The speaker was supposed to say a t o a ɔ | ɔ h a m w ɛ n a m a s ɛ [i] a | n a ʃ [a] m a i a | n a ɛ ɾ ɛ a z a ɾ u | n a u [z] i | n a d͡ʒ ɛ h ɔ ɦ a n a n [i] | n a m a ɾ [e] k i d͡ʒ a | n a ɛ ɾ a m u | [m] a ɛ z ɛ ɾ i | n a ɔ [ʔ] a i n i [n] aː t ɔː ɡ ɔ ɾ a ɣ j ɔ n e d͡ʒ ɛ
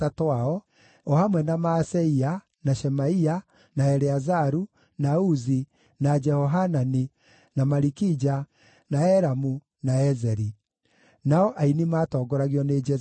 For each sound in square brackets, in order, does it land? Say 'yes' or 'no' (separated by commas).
yes, no, yes, yes, no, no, yes, no